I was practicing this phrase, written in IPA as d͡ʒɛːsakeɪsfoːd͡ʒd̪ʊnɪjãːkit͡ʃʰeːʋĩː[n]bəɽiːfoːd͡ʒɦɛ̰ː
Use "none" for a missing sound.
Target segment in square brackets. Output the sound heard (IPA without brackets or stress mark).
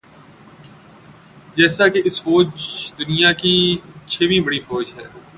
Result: none